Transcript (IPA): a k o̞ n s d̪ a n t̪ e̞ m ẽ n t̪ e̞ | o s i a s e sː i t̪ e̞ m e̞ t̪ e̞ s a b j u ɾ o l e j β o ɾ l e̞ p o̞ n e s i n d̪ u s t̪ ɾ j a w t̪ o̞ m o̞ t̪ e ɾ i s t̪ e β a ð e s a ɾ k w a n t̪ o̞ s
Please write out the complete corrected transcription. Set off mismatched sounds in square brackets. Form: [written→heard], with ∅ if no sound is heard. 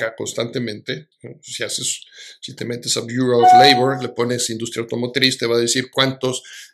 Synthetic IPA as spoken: a k o̞ n s [d̪→t̪] a n t̪ e̞ m ẽ n t̪ e̞ | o s i a s e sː i t̪ e̞ m e̞ t̪ e̞ s a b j u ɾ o l e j β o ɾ l e̞ p o̞ n e s i n d̪ u s t̪ ɾ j a w t̪ o̞ m o̞ t̪ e ɾ i s t̪ e β a ð e s [a→i] ɾ k w a n t̪ o̞ s